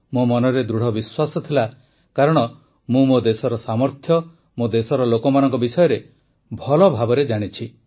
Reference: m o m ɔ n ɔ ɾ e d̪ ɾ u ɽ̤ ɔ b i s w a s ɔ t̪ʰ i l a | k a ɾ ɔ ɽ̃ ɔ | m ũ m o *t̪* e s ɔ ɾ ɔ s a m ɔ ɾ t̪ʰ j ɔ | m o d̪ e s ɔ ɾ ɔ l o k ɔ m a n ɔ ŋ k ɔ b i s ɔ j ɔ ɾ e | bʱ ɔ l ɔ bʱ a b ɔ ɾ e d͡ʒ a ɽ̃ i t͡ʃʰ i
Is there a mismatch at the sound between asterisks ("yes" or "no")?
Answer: yes